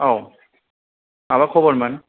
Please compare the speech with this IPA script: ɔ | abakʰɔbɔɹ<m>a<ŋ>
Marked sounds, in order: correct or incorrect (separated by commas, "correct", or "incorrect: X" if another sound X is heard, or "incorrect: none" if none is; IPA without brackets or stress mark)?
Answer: correct, incorrect: n